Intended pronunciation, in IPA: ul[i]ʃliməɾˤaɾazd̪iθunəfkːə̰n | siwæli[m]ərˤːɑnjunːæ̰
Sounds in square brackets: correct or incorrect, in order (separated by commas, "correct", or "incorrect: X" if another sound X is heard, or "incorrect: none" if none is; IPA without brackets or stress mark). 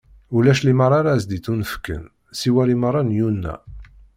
incorrect: æ, correct